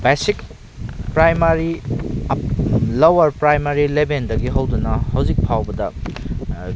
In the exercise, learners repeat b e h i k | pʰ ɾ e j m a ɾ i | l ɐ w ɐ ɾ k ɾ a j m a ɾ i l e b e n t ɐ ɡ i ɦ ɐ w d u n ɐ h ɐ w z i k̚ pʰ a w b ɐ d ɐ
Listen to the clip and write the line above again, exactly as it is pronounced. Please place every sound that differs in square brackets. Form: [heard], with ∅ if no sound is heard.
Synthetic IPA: b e [s] i k | [p] ɾ [a] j m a ɾ i | l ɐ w ɐ ɾ [p] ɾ a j m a ɾ i l e b e n [d] ɐ ɡ i ɦ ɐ w d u n ɐ h ɐ w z i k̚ pʰ a w b ɐ d ɐ